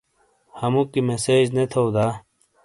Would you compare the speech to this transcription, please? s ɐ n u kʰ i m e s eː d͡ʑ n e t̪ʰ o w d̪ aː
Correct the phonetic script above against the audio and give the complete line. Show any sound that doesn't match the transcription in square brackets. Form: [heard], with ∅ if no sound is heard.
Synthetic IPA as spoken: [h] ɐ [m] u [k] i m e s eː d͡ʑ n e t̪ʰ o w d̪ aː